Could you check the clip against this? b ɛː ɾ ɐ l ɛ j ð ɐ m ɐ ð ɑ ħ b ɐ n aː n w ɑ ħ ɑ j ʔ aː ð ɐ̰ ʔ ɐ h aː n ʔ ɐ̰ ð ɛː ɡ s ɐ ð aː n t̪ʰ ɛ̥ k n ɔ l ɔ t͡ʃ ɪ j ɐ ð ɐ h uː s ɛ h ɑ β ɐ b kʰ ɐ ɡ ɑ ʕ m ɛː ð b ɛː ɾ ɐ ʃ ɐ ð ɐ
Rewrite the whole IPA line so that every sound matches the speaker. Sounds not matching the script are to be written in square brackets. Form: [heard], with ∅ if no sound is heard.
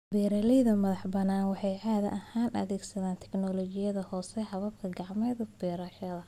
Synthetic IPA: b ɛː ɾ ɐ l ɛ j ð ɐ m ɐ ð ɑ ħ b ɐ n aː n w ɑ ħ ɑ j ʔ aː ð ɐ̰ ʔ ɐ h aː n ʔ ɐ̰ ð ɛː ɡ s ɐ ð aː n t̪ʰ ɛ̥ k n ɔ l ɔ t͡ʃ ɪ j ɐ ð ɐ h [ɔː] s ɛ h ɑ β ɐ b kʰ ɐ ɡ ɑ ʕ m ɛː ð b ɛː ɾ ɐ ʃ ɐ ð ɐ